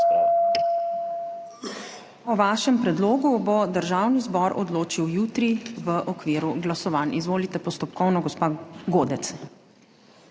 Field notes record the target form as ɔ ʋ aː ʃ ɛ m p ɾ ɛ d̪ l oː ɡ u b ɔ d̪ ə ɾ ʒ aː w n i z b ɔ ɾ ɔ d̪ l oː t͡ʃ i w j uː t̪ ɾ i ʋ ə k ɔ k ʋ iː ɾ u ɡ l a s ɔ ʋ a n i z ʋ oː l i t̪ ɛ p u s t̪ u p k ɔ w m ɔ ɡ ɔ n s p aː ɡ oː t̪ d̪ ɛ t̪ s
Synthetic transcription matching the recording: ɔ ʋ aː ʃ ɛ m p ɾ ɛ d̪ l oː ɡ u b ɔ d̪ ə ɾ ʒ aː w n i z b ɔ ɾ ɔ d̪ l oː t͡ʃ i w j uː t̪ ɾ i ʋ ə ʔ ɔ k ʋ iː ɾ u ɡ l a s ɔ ʋ a n i z ʋ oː l i t̪ ɛ p ɔ s t̪ ɔ p k ɔ w n ɔ ɡ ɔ s p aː ɡ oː d̪ ɛ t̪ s